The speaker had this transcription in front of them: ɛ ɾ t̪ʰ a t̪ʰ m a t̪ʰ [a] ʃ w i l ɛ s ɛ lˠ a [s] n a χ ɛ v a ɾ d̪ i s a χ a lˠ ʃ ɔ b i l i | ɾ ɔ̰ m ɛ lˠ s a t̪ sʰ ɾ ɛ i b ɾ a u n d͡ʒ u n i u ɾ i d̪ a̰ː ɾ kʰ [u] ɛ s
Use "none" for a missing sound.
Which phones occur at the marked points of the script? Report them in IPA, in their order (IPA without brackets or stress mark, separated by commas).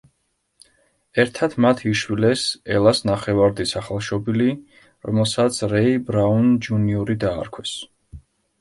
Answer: i, s, w